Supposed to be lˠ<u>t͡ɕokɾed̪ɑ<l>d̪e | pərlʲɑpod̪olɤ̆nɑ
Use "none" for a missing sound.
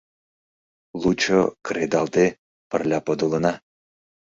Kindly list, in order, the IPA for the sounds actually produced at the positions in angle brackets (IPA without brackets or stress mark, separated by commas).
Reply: u, l